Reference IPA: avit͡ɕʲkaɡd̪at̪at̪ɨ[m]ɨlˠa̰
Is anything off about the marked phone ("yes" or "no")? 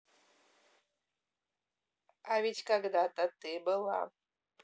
yes